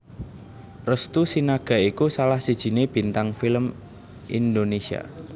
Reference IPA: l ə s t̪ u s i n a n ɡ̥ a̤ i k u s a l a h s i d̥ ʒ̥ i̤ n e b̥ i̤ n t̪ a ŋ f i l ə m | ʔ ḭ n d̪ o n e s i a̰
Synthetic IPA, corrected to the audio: r ə s t̪ u s i n a ɡ̥ a̤ i k u s a l a h s i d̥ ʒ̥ i̤ n e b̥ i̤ n t̪ a ŋ f i l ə m | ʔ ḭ n d̪ o n e s i a̰